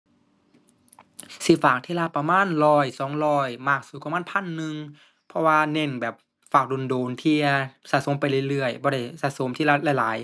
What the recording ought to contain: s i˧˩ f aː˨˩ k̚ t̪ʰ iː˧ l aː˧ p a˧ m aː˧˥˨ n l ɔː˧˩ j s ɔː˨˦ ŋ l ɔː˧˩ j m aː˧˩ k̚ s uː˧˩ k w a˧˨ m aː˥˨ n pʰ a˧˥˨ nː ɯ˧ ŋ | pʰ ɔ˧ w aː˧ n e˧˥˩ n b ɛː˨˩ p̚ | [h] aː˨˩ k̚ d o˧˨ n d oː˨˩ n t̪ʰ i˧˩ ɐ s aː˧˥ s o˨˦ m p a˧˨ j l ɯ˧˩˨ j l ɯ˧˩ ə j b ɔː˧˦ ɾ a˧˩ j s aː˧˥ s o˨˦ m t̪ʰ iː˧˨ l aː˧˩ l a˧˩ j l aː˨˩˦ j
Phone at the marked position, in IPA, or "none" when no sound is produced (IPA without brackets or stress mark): f